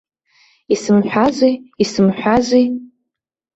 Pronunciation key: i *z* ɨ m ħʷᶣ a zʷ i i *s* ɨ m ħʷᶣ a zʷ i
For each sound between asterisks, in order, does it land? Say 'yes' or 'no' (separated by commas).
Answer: no, yes